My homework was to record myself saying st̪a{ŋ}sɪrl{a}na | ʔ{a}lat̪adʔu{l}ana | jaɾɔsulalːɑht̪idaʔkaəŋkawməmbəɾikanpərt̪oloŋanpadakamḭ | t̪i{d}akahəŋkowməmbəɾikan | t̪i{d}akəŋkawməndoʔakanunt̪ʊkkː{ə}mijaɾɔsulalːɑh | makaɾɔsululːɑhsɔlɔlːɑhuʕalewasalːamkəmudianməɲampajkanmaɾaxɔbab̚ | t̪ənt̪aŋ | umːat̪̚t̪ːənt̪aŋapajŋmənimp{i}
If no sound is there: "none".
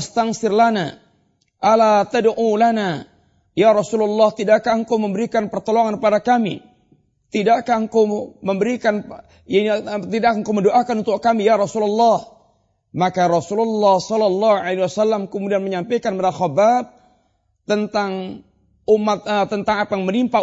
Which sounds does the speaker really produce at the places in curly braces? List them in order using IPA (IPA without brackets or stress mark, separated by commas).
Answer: ŋ, a, a, l, d, d, a, a